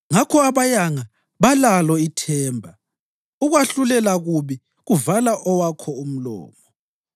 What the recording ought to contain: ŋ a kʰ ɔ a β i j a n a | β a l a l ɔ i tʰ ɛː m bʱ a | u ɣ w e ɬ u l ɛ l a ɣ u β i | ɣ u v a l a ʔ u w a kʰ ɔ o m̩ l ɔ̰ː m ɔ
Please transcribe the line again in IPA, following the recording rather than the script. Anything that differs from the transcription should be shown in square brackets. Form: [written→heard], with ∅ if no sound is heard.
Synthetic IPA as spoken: ŋ a kʰ ɔ a β [i→a] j a [n→ŋ] a | β a l a l ɔ i tʰ ɛː m bʱ a | u ɣ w [e→a] ɬ u l ɛ l a ɣ u β i | ɣ u v a l a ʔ [u→ɔ] w a kʰ ɔ [o→u] m̩ l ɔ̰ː m ɔ

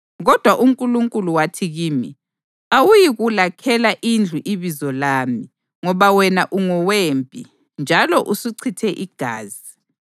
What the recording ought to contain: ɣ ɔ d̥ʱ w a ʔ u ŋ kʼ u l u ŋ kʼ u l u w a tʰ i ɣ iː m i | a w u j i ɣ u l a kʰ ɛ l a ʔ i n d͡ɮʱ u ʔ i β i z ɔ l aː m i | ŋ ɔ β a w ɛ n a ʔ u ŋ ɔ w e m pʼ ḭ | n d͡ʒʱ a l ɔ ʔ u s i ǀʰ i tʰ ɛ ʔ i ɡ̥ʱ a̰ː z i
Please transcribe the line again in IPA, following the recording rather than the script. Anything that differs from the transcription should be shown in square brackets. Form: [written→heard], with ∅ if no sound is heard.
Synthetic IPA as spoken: ɣ ɔ d̥ʱ w a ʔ u ŋ kʼ u l u ŋ kʼ u l u w a tʰ i ɣ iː m i | a w u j i ɣ u l a kʰ ɛ l a ʔ i n d͡ɮʱ u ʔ i β i z ɔ l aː m i | ŋ ɔ β a w ɛ n a ʔ u ŋ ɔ w e m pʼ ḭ | n d͡ʒʱ a l ɔ ʔ u s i ǀʰ i tʰ ɛ ʔ i ɡ̥ʱ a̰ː z i

